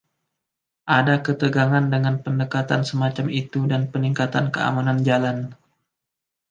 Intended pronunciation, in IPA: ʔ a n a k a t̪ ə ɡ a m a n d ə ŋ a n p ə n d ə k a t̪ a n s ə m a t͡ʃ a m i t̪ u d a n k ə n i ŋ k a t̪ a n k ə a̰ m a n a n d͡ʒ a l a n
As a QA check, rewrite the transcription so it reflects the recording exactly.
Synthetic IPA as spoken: ʔ a d a k ə t̪ ə ɡ a ŋ a n d ə ŋ a n p ə n d ə k a t̪ a n s ə m a t͡ʃ a m i t̪ u d a n p ə n i ŋ k a t̪ a n k ə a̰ m a n a n d͡ʒ a l a n